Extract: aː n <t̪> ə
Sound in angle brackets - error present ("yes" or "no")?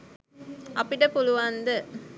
yes